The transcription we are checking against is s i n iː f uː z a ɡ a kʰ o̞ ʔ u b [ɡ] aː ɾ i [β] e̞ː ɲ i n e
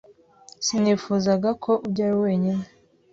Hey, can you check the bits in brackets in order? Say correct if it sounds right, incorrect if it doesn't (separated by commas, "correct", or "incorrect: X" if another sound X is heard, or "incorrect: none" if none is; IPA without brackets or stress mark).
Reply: incorrect: ɟ, incorrect: w